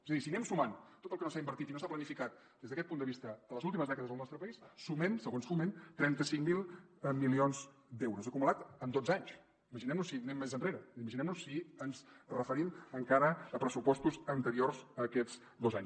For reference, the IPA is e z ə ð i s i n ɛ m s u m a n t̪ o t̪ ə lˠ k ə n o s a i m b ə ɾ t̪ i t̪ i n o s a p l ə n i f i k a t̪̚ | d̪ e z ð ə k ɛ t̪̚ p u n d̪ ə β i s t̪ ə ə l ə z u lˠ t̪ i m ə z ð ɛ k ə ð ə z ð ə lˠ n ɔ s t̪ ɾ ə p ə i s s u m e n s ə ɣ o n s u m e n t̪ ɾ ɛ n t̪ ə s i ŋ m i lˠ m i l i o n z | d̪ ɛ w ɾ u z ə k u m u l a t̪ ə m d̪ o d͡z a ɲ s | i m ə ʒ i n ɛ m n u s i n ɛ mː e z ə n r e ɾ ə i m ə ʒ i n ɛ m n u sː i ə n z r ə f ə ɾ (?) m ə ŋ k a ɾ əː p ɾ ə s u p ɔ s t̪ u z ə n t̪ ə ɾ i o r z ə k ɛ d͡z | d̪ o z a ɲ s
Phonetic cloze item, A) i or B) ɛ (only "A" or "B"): A